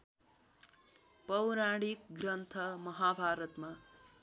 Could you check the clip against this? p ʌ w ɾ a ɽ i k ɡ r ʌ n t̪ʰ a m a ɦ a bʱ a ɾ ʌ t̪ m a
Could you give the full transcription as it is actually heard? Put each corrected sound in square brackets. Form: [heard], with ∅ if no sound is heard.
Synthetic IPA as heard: p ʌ w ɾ a ɽ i k ɡ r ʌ n t̪ʰ [ʌ] m [ʌ] ɦ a bʱ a ɾ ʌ t̪ m a

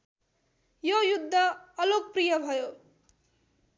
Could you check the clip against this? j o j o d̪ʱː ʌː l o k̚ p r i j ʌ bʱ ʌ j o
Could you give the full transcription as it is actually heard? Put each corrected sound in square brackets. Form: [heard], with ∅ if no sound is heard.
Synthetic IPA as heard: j o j [u] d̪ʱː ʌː l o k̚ p r i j ʌ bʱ ʌ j o

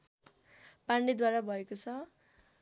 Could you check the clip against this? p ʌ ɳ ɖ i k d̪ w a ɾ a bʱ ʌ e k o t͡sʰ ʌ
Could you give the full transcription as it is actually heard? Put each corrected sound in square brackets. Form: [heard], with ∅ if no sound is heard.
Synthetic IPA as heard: p [a] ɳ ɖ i [∅] d̪ w a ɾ a bʱ ʌ e k o t͡sʰ ʌ

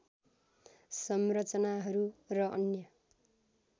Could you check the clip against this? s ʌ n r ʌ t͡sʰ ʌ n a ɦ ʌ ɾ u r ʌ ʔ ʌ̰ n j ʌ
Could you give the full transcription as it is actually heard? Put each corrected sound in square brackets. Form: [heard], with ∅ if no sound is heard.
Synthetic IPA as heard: s ʌ [m] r ʌ [t͡s] ʌ n a ɦ ʌ ɾ u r ʌ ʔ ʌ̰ n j ʌ

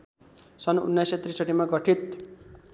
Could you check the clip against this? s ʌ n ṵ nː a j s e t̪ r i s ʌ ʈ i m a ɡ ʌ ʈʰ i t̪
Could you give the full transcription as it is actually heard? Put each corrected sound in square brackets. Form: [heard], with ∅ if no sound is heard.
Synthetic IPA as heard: s ʌ n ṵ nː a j s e t̪ r i s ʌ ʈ i m a ɡ ʌ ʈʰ i t̪

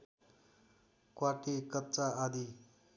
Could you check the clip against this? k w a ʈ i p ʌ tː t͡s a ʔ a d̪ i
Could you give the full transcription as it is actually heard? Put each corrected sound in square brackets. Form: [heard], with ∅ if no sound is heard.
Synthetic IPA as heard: k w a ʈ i [k] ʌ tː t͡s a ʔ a d̪ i

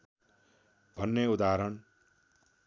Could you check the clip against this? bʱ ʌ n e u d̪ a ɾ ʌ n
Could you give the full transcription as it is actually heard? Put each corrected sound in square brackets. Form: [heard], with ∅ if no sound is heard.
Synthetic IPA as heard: bʱ ʌ [nː] e u d̪ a ɾ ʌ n

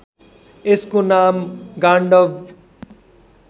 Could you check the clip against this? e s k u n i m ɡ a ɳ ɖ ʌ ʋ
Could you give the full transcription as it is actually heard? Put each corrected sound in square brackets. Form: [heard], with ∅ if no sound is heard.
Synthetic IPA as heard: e s k [o] n [a] m ɡ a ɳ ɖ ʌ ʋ

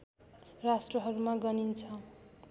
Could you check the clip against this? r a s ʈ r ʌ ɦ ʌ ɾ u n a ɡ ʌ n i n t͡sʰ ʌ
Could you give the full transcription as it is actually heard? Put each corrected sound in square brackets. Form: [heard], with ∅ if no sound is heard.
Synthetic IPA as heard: r a s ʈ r ʌ ɦ ʌ ɾ u [m] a ɡ ʌ n i n t͡sʰ ʌ

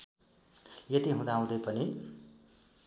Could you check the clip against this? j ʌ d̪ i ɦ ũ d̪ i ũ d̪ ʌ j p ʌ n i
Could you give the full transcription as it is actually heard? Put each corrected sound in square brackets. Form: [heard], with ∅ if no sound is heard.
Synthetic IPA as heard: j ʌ [t̪] i ɦ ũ d̪ [a] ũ d̪ ʌ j p ʌ n i

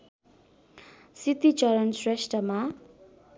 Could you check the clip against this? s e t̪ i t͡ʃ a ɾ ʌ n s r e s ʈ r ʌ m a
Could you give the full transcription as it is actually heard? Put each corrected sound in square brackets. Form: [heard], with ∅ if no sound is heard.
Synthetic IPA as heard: s [i] t̪ i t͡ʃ [ʌ] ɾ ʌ n s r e s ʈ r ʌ m a

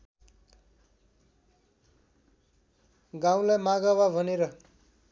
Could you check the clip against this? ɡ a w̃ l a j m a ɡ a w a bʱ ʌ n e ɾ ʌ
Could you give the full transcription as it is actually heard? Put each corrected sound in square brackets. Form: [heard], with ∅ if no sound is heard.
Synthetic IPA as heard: ɡ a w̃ l a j m a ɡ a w a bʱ ʌ n e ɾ ʌ

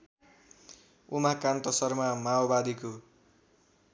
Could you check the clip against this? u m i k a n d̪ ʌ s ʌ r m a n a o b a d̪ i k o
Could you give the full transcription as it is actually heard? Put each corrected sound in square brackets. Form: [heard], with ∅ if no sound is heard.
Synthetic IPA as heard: u m [a] k a n [t̪] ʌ s ʌ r m a [m] a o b a d̪ i k o

